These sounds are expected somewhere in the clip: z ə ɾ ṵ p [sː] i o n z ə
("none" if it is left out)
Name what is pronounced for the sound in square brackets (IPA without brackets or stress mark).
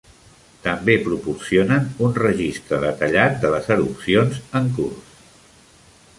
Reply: s